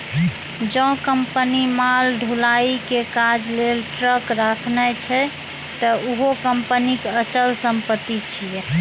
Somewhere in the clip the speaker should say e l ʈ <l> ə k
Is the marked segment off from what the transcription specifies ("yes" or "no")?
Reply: yes